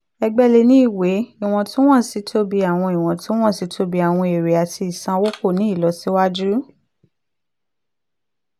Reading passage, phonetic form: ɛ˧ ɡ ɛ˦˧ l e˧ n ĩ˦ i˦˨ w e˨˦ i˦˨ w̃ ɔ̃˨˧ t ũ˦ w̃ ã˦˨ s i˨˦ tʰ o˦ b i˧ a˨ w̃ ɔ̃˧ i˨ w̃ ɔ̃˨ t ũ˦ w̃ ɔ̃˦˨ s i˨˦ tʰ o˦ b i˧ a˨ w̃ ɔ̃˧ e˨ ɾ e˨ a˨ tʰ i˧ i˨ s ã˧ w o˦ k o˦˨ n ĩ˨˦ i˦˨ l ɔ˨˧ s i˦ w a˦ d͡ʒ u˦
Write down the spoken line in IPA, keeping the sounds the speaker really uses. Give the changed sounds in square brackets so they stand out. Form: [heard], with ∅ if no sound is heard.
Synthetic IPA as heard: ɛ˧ [ɡ͡b] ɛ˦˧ l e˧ n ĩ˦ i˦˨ w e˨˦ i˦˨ w̃ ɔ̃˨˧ t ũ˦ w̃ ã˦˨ s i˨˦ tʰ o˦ b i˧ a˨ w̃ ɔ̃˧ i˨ w̃ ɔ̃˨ t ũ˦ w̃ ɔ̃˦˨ s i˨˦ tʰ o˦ b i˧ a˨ w̃ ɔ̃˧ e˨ ɾ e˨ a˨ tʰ i˧ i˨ s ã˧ w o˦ k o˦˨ n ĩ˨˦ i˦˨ l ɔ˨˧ s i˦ w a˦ d͡ʒ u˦